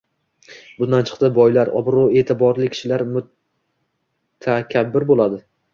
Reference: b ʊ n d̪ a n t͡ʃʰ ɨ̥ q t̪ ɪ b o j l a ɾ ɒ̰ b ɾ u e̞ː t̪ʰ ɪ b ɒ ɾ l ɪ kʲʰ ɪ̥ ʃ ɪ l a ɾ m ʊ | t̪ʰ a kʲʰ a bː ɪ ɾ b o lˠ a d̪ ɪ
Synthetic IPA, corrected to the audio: b ʊ n d̪ a n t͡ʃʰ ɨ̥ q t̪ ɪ b ɒ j l a ɾ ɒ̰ b ɾ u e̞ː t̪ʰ ɪ b ɒ ɾ l ɪ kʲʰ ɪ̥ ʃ ɪ l a ɾ m ʊ | t̪ʰ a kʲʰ a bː ɪ ɾ b o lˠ a d̪ ɪ